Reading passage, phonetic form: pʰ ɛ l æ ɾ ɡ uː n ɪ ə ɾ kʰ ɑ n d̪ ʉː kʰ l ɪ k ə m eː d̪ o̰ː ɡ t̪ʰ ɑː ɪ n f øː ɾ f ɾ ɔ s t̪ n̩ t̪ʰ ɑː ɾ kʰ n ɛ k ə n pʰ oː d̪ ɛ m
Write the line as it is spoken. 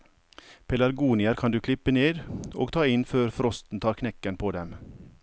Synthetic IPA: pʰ ɛ l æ ɾ ɡ uː n ɪ ə ɾ kʰ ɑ n d̪ ʉː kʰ l ɪ p ə n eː d̪ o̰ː ɡ t̪ʰ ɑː ɪ n f øː ɾ f ɾ ɔ s t̪ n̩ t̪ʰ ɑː ɾ kʰ n ɛ k ə n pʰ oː d̪ ɛ m